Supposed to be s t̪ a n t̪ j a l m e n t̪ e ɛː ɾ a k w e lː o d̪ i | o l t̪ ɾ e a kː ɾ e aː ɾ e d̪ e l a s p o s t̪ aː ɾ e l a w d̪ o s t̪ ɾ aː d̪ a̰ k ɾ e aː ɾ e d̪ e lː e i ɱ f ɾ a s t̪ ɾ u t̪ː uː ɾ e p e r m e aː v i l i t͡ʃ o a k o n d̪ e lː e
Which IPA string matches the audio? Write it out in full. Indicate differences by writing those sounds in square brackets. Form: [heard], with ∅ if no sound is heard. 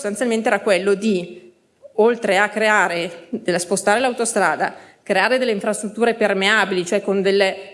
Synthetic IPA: s t̪ a n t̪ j a l m e n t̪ e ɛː ɾ a k w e lː o d̪ i | o l t̪ ɾ e a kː ɾ e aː ɾ e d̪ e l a s p o s t̪ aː ɾ e l a w [t̪] o s t̪ ɾ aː d̪ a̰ k ɾ e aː ɾ e d̪ e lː e i ɱ f ɾ a s t̪ ɾ u t̪ː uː ɾ e p e r m e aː [b] i l i t͡ʃ o [ɛ] k o n d̪ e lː e

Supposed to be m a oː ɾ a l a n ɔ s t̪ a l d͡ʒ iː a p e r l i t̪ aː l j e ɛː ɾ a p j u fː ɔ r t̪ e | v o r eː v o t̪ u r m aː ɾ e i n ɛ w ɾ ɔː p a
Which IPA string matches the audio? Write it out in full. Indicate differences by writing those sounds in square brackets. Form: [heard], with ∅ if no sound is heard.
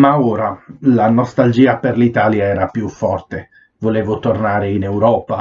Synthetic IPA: m a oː ɾ a l a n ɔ s t̪ a l d͡ʒ iː a p e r l i t̪ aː l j [a] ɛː ɾ a p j u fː ɔ r t̪ e | v o [l] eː v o t̪ [o] r [n] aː ɾ e i n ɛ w ɾ ɔː p a

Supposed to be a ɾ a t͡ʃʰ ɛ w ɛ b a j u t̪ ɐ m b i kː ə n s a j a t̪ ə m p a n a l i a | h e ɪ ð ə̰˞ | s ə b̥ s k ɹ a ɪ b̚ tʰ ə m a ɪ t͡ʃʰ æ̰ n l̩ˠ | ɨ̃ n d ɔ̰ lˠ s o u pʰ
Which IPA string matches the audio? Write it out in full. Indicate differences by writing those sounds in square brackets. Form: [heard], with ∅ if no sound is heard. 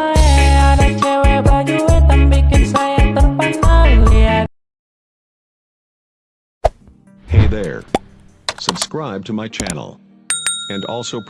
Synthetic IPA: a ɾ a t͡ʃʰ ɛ w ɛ b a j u t̪ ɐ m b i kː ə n s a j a t̪ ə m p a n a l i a | h e ɪ ð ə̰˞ | s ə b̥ s k ɹ a ɪ b̚ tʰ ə m a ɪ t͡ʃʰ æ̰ n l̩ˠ | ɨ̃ n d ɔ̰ lˠ s o [ʊ] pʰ

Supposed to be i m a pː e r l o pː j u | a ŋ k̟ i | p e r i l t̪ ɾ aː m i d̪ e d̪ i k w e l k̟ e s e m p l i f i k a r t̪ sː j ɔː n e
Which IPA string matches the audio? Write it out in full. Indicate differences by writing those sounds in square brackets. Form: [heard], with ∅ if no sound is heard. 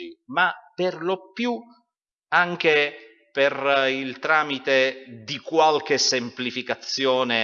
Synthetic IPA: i m a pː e r l o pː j u | a ŋ k̟ [e] | p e r i l t̪ ɾ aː m i [t̪] e d̪ i k w [a] l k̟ e s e m p l i f i k a [∅] t̪ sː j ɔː n e

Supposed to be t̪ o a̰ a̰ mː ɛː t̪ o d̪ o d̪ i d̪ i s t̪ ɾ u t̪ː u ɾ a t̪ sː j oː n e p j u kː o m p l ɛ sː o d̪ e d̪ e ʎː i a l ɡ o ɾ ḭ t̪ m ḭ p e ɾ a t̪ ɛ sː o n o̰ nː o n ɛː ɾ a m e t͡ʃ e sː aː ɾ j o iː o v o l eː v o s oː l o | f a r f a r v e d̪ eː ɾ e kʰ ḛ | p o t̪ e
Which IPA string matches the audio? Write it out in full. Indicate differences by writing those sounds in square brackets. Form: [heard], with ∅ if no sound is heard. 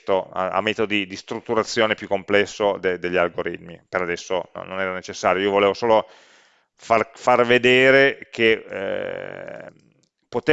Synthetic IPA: t̪ o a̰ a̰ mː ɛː t̪ o d̪ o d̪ i d̪ i s t̪ ɾ u t̪ː u ɾ a t̪ sː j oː n e p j u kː o m p l ɛ sː o d̪ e d̪ e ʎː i a l ɡ o ɾ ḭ t̪ m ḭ p e ɾ a [d̪] ɛ sː o n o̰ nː o n ɛː ɾ a [n] e t͡ʃ e sː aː ɾ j o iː o v o l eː v o s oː l o | f a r f a r v e d̪ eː ɾ e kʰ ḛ | p o t̪ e

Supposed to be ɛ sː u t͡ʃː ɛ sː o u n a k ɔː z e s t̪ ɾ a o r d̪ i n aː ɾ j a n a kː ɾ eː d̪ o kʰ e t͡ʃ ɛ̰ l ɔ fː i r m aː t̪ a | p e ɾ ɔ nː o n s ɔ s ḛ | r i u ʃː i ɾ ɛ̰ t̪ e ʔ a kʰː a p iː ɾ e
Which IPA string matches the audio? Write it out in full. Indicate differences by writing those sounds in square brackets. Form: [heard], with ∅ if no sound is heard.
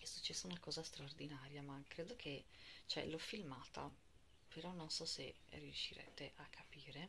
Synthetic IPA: ɛ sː u t͡ʃː ɛ sː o u n a k ɔː z [a] s t̪ ɾ a o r d̪ i n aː ɾ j a [m] a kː ɾ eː d̪ o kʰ e t͡ʃ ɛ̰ l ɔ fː i [l] m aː t̪ a | p e ɾ ɔ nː o n s ɔ s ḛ | r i u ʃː i ɾ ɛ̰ t̪ e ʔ a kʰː a p iː ɾ e

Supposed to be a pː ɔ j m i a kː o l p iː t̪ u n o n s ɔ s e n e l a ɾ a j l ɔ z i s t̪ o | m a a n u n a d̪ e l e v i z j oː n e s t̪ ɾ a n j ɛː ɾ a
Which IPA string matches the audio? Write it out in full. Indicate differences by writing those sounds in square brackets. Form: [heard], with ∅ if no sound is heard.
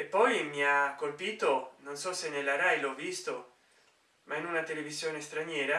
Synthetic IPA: [e] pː ɔ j m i a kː o l p iː t̪ [o] n o n s ɔ s e n e l a ɾ a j l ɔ [v] i s t̪ o | m a [i] n u n a [t̪] e l e v i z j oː n e s t̪ ɾ a n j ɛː ɾ a

